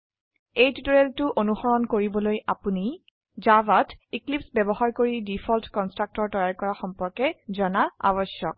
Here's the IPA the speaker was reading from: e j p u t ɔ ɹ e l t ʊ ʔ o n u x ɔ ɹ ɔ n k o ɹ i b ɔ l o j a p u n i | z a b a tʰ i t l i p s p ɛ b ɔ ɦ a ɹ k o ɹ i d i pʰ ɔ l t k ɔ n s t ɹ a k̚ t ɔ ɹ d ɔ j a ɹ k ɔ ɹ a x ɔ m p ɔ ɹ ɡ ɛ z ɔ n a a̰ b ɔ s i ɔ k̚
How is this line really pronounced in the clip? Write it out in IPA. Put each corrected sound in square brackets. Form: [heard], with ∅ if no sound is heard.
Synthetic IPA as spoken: e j [t] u t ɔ ɹ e l t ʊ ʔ o n u x ɔ ɹ ɔ n k o ɹ i b ɔ l o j a p u n i | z a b a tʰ i [k] l i p s [b] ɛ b ɔ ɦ a ɹ k o ɹ i d i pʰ ɔ l t k ɔ n s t ɹ a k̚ t ɔ ɹ [t] ɔ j a ɹ k ɔ ɹ a x ɔ m p ɔ ɹ [k] ɛ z ɔ n a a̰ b ɔ s [j] ɔ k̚